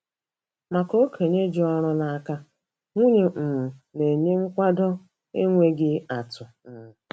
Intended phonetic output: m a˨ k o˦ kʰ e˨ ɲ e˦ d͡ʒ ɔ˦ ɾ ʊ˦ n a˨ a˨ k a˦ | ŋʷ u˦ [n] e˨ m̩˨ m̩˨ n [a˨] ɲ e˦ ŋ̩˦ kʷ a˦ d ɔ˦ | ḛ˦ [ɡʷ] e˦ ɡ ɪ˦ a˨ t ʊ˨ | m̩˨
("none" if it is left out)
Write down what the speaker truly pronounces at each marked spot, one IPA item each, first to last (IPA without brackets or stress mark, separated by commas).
ɲ, e˨, ŋʷ